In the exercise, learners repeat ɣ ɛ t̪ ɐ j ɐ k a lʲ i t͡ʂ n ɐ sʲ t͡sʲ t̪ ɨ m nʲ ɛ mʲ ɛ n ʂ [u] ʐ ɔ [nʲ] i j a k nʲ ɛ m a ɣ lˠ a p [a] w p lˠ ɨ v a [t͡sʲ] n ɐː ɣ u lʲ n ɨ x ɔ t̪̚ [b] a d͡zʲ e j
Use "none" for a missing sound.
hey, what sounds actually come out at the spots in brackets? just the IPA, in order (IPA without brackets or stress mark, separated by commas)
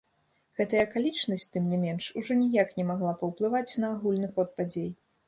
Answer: u, nʲ, ɐ, t͡sʲ, p